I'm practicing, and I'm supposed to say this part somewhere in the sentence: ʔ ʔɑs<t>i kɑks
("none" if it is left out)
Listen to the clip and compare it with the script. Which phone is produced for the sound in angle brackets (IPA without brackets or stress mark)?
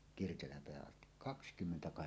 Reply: t